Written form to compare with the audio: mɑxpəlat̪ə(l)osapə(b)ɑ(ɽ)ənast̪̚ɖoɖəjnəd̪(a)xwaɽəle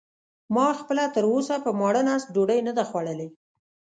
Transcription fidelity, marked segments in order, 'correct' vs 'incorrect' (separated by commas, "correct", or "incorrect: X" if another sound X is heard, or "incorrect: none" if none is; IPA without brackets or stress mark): incorrect: ɾ, incorrect: m, correct, correct